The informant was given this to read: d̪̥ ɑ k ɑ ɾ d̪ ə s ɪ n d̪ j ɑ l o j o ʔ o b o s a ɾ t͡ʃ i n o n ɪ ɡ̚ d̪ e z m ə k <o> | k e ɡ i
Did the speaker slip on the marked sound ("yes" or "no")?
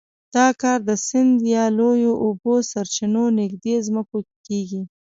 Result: no